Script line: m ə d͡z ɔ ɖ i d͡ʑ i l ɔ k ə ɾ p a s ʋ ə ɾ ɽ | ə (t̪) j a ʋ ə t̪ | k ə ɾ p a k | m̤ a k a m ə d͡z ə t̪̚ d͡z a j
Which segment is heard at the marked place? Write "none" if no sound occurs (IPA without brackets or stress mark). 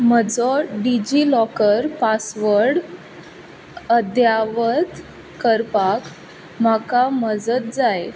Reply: d̪